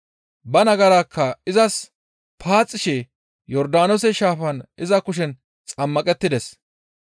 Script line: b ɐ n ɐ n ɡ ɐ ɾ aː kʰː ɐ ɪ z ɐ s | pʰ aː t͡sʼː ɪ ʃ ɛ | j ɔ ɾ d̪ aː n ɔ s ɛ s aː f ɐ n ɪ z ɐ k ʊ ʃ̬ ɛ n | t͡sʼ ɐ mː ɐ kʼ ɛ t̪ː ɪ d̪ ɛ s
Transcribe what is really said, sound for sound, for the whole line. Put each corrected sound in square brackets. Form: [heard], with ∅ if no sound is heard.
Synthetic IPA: b ɐ n ɐ [∅] ɡ ɐ ɾ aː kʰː ɐ ɪ z ɐ s | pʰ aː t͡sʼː ɪ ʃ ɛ | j ɔ ɾ d̪ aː n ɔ s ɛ [ʃ] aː f ɐ n ɪ z ɐ k ʊ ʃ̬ ɛ n | t͡sʼ ɐ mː ɐ kʼ ɛ t̪ː ɪ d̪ ɛ s